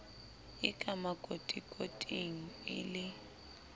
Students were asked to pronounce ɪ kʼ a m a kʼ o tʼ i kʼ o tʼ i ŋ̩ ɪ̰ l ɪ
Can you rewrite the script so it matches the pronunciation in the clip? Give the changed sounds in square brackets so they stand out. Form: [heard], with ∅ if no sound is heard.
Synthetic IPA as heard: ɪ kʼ a m a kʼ o tʼ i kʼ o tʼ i ŋ̩ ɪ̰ l ɪ